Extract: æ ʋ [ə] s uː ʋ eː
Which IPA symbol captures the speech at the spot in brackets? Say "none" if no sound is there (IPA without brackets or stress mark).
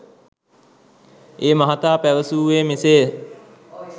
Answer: ə